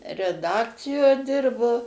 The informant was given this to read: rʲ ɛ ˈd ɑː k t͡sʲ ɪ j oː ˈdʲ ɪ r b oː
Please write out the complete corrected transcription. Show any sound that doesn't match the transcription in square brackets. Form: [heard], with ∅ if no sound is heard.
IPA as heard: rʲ ɛ ˈd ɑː k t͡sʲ ɪ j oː ˈdʲ ɪ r b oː